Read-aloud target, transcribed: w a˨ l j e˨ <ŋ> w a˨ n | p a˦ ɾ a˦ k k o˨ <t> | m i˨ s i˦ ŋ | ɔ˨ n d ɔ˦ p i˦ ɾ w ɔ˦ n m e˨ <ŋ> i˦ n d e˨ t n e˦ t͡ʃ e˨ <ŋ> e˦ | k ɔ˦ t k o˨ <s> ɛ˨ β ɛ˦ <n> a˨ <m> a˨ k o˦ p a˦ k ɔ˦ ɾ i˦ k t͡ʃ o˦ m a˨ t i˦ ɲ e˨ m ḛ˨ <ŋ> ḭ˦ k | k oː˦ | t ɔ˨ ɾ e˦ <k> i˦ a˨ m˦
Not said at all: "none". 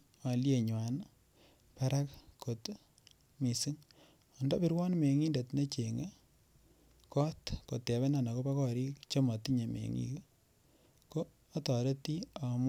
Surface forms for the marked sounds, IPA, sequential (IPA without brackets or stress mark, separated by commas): ɲ, t, ŋ, ŋ, t, n, n, ŋ, t